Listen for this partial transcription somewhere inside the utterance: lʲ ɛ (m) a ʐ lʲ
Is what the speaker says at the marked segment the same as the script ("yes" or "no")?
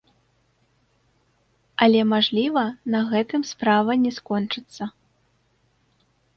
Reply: yes